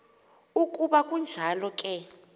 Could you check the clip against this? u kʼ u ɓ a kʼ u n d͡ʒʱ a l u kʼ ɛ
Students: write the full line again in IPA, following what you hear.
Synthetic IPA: u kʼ u ɓ a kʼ u n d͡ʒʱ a l ɔ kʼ ɛ